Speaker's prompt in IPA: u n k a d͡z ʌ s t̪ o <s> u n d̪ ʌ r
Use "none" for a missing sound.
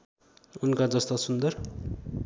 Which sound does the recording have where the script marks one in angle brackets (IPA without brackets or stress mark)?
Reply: s